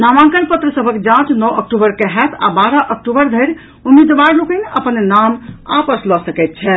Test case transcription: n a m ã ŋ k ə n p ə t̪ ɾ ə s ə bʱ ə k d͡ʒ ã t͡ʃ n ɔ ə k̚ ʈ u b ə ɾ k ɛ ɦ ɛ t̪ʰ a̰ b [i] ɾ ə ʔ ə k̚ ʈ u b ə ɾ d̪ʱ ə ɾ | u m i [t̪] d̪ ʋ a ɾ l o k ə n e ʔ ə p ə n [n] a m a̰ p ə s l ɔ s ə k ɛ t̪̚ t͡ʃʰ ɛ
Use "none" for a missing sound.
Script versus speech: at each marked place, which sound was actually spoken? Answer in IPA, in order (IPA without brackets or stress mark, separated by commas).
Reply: a, none, n